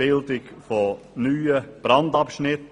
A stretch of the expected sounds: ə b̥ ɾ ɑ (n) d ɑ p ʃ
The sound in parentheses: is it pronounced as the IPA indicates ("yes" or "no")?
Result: yes